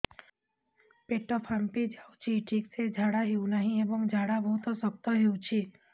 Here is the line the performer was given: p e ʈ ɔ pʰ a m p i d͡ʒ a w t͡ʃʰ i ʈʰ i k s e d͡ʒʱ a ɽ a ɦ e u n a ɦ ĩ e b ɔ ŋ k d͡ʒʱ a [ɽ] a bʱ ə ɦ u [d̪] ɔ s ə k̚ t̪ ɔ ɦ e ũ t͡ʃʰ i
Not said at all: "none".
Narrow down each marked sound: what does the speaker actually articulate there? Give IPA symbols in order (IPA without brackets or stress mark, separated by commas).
ɽ, t̪